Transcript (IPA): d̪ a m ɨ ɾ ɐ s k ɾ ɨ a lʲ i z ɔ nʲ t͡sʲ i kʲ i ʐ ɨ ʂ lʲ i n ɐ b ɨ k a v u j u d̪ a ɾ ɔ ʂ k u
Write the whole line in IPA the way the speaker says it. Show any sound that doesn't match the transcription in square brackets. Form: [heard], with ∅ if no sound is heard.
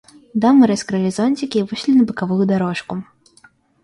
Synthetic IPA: d̪ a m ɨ ɾ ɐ s k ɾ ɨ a lʲ i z ɔ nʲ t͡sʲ i kʲ i [v] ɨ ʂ lʲ i n ɐ b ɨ k a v u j u d̪ a ɾ ɔ ʂ k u